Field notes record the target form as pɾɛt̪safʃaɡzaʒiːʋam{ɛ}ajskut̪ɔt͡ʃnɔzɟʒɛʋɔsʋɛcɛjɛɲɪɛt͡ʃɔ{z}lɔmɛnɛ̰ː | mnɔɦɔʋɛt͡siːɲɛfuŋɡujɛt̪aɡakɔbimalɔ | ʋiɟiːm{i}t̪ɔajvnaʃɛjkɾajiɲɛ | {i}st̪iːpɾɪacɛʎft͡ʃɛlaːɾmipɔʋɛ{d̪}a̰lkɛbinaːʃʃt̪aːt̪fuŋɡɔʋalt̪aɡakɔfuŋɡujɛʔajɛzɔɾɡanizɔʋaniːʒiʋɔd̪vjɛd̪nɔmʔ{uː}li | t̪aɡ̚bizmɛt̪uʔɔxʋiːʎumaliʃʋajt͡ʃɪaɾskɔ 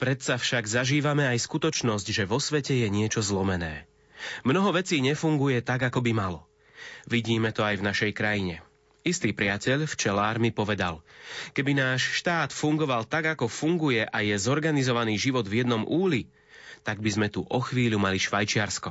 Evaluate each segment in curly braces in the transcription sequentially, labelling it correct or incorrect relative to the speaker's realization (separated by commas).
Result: correct, correct, incorrect, correct, correct, correct